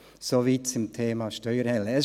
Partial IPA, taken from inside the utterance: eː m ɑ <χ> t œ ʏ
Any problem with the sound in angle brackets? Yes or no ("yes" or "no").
yes